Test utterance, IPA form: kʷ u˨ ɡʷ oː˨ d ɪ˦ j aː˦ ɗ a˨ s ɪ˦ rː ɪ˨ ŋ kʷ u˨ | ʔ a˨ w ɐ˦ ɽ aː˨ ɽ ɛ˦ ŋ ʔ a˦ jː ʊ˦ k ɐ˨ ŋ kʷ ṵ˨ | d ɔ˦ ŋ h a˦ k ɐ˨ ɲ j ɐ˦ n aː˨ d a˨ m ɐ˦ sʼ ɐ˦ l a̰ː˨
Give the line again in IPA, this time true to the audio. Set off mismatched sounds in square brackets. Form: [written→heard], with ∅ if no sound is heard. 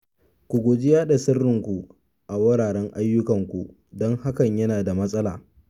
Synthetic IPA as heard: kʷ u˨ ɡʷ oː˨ [d→d͡ʒ] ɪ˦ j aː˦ ɗ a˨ s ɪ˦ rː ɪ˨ ŋ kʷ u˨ | ʔ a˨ w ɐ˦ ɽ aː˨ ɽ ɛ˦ ŋ ʔ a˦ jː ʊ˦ k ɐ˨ ŋ kʷ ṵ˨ | d ɔ˦ ŋ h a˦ k ɐ˨ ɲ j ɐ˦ n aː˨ d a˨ m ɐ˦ sʼ ɐ˦ l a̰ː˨